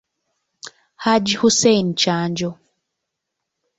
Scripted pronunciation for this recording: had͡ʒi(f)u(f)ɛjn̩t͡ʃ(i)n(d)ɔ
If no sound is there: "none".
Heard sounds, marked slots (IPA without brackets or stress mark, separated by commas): h, s, a, d͡ʒ